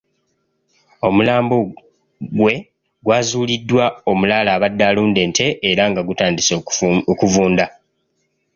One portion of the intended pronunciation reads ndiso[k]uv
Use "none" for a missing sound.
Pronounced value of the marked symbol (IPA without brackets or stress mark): k